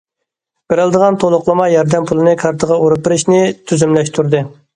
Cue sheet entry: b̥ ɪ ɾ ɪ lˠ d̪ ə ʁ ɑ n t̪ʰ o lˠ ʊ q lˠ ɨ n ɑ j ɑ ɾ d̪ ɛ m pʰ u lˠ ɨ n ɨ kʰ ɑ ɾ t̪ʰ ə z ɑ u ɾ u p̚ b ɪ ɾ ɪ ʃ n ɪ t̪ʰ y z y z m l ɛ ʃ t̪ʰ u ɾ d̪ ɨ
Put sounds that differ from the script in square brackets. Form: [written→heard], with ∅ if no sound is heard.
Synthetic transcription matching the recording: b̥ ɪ ɾ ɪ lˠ d̪ ə ʁ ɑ n t̪ʰ o lˠ ʊ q lˠ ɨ [n→m] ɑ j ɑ ɾ d̪ ɛ m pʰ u lˠ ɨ n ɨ kʰ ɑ ɾ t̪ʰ ə [z→ʁ] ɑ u ɾ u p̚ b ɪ ɾ ɪ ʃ n ɪ t̪ʰ y z y [z→∅] m l ɛ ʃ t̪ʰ u ɾ d̪ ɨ